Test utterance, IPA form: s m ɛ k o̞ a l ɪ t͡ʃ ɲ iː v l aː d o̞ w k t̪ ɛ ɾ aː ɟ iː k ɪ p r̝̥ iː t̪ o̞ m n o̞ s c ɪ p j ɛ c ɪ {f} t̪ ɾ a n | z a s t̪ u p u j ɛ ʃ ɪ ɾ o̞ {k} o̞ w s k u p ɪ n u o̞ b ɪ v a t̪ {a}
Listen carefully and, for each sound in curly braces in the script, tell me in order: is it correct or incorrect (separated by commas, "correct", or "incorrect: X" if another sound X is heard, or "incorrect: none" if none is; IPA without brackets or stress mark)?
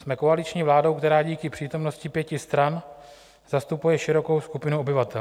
incorrect: s, correct, incorrect: ɛ